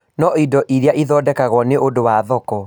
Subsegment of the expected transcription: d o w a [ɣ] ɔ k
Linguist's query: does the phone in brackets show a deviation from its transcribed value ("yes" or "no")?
yes